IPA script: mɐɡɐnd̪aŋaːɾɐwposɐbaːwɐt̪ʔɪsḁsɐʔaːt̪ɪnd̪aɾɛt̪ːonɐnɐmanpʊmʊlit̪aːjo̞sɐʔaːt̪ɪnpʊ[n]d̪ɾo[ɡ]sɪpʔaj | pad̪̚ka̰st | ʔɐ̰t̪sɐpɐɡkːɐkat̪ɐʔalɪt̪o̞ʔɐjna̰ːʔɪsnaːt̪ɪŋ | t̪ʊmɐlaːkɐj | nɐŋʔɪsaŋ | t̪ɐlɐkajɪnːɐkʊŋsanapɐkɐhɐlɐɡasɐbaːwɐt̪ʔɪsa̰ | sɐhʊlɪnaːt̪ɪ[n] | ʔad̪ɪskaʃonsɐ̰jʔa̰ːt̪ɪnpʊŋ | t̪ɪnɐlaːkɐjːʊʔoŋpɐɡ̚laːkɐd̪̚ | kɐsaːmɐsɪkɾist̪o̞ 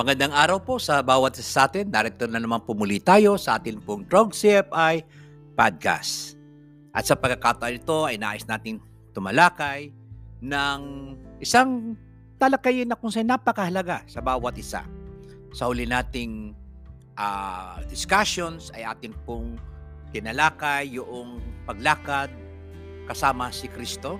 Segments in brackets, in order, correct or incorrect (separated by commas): incorrect, correct, incorrect